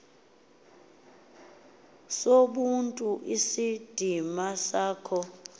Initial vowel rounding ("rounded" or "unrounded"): rounded